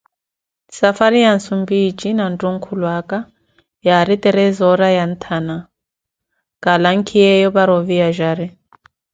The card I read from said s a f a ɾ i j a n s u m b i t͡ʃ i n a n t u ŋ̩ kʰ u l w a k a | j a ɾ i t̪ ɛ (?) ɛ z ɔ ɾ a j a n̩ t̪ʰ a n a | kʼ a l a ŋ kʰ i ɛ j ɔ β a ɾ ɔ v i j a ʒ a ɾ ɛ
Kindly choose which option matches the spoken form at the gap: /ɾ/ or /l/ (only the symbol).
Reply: ɾ